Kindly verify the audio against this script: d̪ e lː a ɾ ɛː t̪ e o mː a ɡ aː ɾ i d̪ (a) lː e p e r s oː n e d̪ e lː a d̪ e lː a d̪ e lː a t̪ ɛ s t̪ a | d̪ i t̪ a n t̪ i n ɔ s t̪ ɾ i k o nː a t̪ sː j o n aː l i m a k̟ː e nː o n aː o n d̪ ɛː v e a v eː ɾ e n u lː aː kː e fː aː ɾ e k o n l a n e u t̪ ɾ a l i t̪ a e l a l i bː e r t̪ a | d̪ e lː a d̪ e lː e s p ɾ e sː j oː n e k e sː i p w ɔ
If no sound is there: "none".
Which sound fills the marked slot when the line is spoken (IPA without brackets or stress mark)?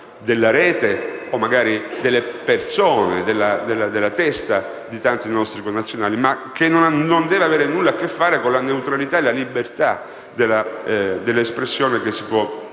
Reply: e